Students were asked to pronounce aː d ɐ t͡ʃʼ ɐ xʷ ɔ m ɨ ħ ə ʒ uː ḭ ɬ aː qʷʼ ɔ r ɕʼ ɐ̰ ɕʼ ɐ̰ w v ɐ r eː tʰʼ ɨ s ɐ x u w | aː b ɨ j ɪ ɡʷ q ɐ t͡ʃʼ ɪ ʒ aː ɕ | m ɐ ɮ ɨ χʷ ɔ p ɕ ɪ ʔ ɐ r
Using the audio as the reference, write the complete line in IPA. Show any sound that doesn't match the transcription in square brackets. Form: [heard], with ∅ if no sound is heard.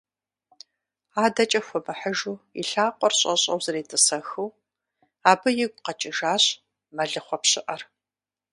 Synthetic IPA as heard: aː d ɐ t͡ʃʼ ɐ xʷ ɔ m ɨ ħ ə ʒ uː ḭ ɬ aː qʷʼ ɔ r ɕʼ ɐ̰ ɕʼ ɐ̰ w [z] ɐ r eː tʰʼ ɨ s ɐ x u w | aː b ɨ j ɪ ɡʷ q ɐ t͡ʃʼ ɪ ʒ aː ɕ | m ɐ ɮ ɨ χʷ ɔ p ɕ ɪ ʔ ɐ r